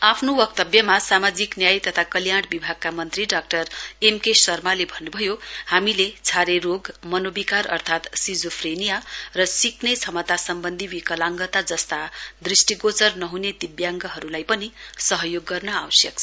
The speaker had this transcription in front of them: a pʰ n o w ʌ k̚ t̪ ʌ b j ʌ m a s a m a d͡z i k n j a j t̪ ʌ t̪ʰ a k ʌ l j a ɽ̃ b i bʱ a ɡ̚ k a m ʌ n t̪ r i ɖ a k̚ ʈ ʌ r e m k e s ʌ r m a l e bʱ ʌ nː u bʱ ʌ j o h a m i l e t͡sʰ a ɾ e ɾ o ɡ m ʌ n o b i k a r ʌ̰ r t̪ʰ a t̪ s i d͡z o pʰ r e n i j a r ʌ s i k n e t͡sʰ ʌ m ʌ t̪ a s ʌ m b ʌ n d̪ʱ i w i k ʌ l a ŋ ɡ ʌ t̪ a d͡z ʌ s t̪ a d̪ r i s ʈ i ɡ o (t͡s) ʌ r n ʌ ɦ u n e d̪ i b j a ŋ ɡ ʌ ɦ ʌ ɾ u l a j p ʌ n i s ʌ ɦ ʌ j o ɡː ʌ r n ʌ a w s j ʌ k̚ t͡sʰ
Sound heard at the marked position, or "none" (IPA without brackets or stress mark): t͡s